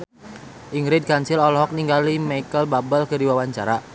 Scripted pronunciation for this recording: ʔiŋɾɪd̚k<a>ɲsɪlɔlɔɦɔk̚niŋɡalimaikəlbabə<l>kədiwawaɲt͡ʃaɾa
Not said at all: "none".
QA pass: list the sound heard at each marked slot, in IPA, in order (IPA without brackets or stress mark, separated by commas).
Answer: a, l